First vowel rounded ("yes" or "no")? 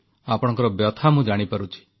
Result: no